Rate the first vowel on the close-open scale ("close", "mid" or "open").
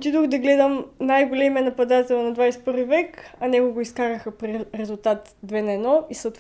close